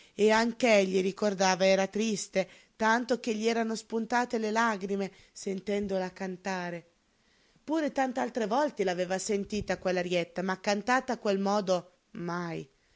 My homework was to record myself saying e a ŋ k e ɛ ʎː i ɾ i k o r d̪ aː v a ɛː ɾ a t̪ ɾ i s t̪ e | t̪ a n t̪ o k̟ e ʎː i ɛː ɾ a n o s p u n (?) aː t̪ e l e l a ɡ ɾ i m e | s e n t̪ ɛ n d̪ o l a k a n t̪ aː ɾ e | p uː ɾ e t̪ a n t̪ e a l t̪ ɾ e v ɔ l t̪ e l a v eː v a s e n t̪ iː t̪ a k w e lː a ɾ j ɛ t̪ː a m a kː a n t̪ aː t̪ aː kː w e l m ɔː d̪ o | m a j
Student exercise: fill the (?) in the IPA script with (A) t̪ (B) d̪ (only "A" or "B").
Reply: A